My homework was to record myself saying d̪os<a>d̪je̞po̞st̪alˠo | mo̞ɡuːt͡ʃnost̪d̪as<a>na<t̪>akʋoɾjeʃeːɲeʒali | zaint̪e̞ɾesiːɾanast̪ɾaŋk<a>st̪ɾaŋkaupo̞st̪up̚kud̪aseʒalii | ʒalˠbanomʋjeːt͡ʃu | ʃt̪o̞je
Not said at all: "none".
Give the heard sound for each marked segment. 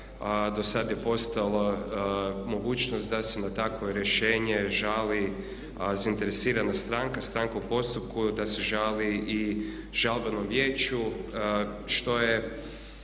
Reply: a, e, t̪, a

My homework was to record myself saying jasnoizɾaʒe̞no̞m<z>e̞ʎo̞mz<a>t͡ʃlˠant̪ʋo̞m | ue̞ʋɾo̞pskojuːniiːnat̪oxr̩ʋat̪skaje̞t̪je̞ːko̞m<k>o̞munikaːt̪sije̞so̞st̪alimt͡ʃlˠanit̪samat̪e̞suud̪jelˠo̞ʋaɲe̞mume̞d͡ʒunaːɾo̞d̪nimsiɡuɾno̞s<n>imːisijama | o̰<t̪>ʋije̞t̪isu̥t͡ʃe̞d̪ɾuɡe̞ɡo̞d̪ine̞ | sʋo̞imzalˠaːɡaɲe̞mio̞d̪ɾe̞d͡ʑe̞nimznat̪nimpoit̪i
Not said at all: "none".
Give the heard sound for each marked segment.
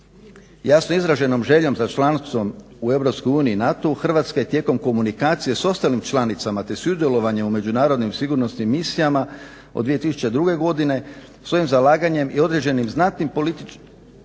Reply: ʒ, a, k, n, d̪

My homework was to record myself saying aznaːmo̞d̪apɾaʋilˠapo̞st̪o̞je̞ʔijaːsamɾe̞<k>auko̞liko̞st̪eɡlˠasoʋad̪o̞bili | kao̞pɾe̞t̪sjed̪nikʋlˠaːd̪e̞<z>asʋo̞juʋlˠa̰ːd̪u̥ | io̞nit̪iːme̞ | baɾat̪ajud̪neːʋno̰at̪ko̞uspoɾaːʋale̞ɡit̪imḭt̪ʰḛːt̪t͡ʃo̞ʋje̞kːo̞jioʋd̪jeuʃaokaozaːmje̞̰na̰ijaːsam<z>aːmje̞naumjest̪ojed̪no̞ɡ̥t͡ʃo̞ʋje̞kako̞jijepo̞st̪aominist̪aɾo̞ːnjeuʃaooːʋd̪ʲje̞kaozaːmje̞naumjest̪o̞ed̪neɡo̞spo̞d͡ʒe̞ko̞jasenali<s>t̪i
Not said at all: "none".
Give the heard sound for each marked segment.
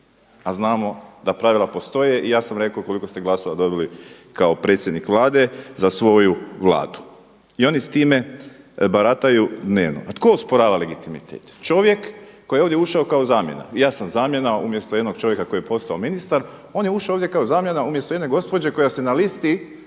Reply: k, z, z, s

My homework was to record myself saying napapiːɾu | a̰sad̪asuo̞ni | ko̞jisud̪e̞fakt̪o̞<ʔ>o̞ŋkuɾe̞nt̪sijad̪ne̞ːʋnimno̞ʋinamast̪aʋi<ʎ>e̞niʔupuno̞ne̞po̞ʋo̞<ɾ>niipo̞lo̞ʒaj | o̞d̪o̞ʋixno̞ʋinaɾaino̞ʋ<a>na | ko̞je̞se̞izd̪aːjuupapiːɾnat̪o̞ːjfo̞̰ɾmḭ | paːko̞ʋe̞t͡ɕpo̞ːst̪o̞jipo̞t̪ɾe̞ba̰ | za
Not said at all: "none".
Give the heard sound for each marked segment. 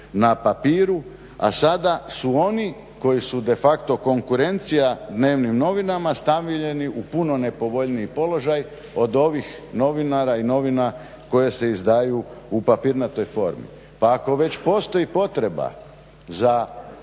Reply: k, ʎ, ʎ, i

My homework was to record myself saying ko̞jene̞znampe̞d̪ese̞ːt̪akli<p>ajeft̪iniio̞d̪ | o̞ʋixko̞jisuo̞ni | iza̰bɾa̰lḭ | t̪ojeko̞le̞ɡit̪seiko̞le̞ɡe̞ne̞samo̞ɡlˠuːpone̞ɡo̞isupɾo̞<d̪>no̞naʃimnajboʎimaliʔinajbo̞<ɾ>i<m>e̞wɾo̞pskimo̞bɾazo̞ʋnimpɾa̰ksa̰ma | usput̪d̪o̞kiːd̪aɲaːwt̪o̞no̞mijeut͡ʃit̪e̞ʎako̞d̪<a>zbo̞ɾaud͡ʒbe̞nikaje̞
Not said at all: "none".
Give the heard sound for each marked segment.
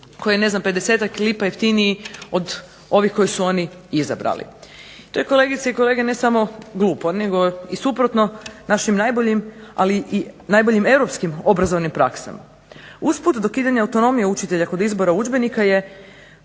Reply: p, t̪, ʎ, m, i

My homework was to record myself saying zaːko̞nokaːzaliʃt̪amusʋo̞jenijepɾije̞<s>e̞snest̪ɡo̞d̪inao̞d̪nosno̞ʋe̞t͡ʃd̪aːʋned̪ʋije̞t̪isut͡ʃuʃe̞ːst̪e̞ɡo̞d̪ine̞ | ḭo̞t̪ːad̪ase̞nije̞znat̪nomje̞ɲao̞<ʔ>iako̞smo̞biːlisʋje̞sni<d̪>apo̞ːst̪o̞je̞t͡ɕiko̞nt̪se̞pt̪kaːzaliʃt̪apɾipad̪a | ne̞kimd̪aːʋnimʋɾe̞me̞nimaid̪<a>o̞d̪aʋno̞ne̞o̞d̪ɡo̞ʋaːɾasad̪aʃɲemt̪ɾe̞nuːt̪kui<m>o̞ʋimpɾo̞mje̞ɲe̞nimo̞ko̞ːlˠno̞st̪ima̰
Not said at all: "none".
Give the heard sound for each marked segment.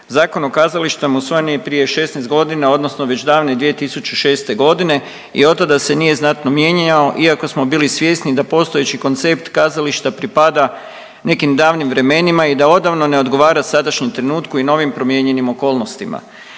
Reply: ʃ, ʔ, d̪, a, n

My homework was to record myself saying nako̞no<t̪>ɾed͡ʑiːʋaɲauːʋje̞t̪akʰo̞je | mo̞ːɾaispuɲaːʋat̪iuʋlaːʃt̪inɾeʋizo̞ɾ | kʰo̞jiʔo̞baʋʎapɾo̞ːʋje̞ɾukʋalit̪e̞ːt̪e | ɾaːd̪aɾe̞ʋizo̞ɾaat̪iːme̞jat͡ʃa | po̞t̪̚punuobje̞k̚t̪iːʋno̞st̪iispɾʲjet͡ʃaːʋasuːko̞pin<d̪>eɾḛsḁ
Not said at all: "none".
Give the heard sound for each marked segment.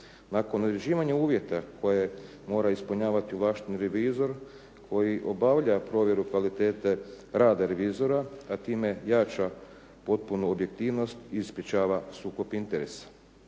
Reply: d̪, t̪

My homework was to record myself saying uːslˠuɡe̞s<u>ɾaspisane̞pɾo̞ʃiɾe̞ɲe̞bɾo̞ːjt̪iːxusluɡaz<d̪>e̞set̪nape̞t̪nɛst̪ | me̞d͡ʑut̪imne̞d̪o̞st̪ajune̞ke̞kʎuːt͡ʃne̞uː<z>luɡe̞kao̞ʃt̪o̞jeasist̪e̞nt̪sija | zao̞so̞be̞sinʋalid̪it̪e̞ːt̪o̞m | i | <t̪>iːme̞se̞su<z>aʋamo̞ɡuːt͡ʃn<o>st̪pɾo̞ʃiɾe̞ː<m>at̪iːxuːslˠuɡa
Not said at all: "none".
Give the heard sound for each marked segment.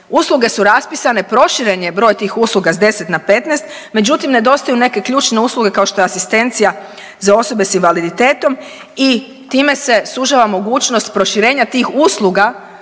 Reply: u, d̪, s, t̪, ʒ, o, ɲ

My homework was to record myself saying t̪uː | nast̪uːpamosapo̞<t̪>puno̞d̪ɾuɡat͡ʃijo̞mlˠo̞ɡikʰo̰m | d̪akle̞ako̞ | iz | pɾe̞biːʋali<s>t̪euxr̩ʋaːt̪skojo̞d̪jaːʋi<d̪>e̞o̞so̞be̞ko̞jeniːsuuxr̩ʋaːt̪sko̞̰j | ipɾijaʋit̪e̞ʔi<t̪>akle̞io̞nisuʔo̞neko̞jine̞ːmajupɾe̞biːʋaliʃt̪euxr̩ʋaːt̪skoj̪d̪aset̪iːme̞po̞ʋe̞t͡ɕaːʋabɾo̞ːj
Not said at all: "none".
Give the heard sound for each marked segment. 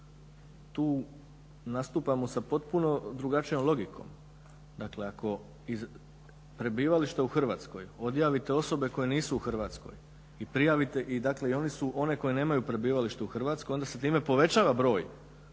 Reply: t̪, ʃ, t̪, d̪

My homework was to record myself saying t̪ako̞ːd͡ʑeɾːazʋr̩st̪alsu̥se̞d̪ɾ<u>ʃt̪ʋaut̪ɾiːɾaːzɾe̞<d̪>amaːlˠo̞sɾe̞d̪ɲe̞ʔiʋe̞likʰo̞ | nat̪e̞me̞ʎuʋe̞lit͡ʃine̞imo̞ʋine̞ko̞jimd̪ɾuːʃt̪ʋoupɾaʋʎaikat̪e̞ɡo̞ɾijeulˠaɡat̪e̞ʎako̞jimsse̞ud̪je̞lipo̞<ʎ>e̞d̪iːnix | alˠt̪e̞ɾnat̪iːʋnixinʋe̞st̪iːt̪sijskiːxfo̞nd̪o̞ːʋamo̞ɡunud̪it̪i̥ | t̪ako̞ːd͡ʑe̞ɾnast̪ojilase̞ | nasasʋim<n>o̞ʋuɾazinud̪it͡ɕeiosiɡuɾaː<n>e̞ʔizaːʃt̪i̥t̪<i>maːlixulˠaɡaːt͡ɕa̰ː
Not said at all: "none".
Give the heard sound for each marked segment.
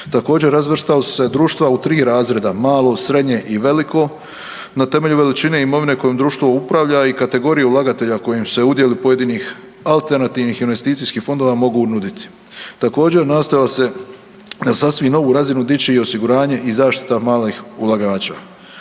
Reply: uː, d̪, j, n, ɲ, a

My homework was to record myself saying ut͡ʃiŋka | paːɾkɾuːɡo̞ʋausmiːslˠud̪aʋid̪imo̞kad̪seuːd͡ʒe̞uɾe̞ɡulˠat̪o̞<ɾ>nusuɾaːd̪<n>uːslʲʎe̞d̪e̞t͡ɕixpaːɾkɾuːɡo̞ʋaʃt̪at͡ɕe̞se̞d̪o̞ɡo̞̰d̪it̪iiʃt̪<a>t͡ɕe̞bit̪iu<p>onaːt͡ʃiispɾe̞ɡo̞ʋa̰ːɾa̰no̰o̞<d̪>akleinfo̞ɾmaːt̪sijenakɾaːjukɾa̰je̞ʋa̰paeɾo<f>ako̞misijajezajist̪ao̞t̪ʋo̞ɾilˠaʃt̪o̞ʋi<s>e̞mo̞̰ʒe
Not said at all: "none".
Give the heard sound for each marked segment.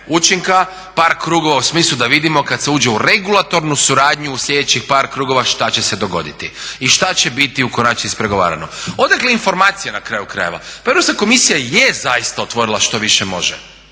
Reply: ɾ, ɲ, a, k, d̪, s, ʃ

